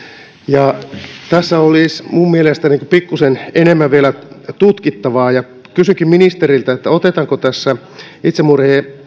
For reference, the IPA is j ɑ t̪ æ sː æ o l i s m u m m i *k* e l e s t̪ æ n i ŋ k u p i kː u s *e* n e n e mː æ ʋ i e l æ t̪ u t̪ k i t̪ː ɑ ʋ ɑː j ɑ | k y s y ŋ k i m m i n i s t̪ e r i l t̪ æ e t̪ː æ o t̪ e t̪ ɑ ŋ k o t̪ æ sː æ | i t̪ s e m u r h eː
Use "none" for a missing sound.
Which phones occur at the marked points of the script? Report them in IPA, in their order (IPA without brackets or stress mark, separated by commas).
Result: none, e